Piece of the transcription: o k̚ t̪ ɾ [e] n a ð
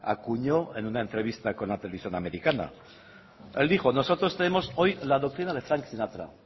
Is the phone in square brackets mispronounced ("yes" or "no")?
yes